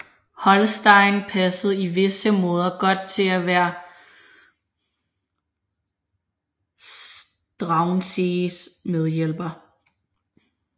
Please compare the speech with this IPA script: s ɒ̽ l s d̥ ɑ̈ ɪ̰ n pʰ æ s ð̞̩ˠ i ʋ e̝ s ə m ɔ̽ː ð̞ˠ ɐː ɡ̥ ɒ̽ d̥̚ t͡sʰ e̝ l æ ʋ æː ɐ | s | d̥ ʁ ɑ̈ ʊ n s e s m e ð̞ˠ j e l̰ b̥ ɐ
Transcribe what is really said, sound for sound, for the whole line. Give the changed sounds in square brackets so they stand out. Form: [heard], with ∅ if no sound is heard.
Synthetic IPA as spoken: [h] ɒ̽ l s d̥ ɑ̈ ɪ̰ n pʰ æ s ð̞̩ˠ i ʋ e̝ s ə m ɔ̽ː ð̞ˠ [ɐ] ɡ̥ ɒ̽ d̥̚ t͡sʰ e̝ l æ ʋ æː ɐ | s | d̥ ʁ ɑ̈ ʊ n s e s m e ð̞ˠ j e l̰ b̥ ɐ